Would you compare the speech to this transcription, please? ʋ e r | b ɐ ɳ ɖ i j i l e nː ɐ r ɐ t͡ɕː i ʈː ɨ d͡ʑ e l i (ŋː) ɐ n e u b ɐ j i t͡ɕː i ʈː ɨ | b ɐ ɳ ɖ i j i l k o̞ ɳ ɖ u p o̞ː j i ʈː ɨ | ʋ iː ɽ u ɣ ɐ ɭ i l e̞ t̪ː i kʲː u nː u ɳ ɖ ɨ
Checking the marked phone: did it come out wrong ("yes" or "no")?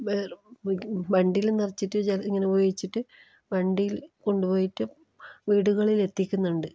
no